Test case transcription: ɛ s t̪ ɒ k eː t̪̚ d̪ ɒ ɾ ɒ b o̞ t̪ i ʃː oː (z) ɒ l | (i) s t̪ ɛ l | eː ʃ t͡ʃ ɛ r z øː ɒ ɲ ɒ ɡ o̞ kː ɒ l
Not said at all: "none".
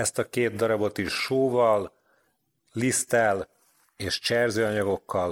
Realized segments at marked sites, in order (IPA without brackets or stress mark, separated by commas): v, i